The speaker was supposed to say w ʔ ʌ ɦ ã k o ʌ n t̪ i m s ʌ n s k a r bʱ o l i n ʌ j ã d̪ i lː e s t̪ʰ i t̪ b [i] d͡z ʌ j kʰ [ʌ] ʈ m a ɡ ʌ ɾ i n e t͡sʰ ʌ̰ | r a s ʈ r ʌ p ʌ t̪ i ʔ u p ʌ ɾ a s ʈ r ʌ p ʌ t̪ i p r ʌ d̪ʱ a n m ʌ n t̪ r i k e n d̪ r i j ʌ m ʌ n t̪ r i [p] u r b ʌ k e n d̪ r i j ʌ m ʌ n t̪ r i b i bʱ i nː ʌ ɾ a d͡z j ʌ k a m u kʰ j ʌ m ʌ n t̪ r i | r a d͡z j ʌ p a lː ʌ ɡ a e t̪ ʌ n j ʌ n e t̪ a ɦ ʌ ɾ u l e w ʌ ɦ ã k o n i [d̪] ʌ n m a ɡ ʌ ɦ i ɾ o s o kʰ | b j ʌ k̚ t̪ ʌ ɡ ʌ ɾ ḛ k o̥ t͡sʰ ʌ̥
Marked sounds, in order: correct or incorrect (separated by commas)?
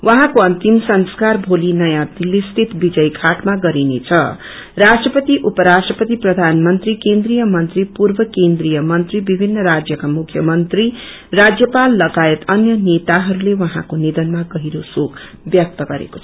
correct, incorrect, correct, correct